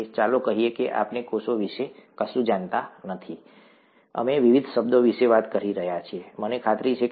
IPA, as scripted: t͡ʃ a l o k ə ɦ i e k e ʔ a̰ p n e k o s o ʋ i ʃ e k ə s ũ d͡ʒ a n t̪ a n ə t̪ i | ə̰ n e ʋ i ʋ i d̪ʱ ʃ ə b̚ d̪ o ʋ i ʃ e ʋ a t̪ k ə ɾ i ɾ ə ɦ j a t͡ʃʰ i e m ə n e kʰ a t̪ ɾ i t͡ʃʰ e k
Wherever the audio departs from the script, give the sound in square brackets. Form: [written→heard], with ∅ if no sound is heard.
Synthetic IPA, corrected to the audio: t͡ʃ a l o k ə ɦ i e k e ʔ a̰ p n e k o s o ʋ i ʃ e k ə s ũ d͡ʒ a n t̪ a n ə [t̪→t̪ʰ] i | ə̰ [n→m] e ʋ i ʋ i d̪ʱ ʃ ə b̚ d̪ o ʋ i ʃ e ʋ a t̪ k ə ɾ i ɾ ə ɦ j a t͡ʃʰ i e m ə n e kʰ a t̪ ɾ i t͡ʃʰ e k